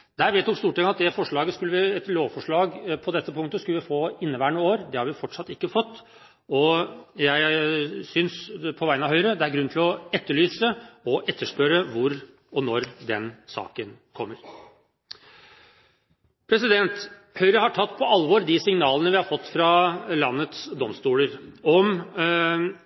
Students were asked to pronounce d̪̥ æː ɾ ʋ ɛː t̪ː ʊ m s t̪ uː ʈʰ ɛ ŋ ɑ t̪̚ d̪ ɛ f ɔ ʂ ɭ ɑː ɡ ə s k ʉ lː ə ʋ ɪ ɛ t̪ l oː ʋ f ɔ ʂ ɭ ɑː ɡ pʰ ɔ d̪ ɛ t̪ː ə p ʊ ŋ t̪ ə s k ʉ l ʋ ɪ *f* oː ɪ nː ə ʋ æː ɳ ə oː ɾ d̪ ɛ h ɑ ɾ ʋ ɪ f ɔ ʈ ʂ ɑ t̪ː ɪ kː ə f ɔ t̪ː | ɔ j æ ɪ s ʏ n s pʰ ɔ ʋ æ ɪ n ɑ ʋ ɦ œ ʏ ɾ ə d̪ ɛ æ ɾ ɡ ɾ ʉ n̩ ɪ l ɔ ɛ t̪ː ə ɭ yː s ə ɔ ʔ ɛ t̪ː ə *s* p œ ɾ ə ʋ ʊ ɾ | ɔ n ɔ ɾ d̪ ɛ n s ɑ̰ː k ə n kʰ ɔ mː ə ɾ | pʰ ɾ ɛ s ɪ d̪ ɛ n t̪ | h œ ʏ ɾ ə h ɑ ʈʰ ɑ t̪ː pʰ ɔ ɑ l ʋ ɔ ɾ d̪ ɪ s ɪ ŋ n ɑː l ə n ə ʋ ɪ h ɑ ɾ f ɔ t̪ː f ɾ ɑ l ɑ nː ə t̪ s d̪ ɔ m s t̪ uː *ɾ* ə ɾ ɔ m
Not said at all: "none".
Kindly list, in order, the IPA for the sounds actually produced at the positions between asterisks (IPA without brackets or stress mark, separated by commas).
f, ʂ, l